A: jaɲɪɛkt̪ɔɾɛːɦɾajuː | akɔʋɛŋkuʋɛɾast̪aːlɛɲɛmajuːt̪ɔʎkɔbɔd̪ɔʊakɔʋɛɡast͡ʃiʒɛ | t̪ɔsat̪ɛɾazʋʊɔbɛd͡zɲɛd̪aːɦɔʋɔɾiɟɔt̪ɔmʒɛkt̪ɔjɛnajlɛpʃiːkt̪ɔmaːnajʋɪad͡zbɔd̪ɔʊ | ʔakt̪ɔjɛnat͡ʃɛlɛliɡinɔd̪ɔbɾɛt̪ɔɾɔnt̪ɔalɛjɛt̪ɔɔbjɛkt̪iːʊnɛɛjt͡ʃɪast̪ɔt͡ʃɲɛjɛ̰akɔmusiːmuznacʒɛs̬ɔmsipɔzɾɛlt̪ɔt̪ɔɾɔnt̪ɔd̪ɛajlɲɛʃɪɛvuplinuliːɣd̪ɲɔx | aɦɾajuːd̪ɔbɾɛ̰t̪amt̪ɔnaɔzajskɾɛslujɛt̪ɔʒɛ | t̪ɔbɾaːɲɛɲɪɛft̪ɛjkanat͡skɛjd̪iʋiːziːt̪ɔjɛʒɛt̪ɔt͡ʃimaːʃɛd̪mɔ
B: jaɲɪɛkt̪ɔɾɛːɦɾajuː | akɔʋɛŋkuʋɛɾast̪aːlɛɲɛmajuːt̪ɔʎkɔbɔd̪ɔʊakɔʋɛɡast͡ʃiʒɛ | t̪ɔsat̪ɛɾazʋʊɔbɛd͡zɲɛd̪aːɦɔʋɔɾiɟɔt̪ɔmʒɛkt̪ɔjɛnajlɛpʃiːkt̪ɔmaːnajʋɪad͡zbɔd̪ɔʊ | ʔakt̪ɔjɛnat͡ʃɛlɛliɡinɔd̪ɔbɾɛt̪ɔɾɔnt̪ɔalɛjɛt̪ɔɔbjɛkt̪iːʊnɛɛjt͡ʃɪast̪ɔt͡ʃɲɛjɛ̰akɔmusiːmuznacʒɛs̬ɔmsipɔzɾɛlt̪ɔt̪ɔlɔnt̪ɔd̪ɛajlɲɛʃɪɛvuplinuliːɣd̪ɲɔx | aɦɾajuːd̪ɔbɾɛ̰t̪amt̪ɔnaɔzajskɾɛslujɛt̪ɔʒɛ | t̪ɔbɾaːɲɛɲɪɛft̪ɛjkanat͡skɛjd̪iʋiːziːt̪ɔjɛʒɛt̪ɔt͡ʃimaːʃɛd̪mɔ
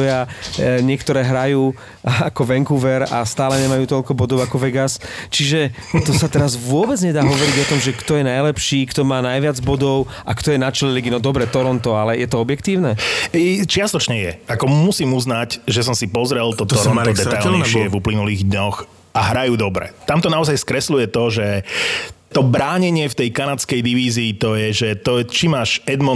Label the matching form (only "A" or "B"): A